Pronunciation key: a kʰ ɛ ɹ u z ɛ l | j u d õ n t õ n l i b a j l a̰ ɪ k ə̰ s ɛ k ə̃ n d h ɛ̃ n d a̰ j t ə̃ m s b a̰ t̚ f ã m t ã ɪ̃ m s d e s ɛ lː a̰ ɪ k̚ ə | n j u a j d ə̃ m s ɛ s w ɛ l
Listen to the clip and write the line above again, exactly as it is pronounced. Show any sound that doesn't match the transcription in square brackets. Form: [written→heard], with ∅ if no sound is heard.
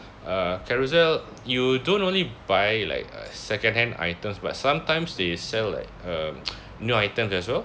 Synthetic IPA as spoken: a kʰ ɛ ɹ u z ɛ l | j u d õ n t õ n l i b a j l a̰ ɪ k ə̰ s ɛ k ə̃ n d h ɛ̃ n d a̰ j t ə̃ m s b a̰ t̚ [f→s] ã m t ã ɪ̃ m s d e s ɛ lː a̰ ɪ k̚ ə | n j u a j [d→t] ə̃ m s ɛ s w ɛ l